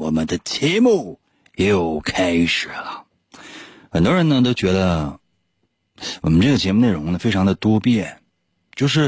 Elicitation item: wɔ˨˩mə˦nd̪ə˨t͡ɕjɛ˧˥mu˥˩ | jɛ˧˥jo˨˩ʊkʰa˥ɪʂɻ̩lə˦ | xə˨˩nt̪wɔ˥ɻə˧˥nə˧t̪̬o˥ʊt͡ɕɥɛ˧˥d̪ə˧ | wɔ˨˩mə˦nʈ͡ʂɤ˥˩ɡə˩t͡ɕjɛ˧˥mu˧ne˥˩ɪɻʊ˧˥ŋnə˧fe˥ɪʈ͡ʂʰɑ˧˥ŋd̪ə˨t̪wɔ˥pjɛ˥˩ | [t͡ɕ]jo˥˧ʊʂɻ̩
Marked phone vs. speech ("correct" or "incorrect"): correct